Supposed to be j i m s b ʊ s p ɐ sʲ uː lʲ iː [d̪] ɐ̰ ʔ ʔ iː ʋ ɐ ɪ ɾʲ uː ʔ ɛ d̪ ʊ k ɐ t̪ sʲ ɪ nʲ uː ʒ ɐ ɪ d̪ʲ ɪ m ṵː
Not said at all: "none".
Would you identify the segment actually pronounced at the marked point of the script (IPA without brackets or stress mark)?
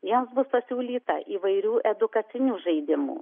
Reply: t̪